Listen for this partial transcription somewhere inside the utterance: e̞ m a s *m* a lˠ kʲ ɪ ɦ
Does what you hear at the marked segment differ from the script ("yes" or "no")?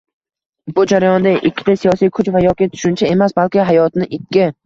yes